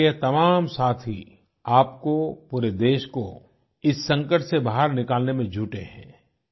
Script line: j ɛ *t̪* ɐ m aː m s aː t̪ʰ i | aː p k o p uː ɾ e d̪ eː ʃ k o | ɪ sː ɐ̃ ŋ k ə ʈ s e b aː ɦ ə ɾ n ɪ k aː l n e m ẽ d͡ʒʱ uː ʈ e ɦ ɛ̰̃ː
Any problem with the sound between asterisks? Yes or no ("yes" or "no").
no